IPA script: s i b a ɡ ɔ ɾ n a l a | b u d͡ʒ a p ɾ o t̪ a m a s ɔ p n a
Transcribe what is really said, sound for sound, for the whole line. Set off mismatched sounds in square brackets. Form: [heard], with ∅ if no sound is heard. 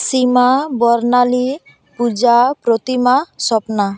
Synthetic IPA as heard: s i [m] a [b] ɔ ɾ n a l [i] | [p] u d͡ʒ a p ɾ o t̪ [i] m a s ɔ p n a